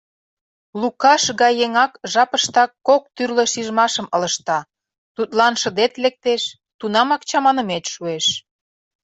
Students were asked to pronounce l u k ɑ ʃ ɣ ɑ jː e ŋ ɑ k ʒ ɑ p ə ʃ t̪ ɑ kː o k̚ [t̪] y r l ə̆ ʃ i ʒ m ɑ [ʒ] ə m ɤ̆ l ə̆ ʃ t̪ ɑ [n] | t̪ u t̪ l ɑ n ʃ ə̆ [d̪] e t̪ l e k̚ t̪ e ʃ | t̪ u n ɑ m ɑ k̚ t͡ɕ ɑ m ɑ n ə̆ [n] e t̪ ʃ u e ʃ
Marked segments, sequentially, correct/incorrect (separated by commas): correct, incorrect, incorrect, correct, incorrect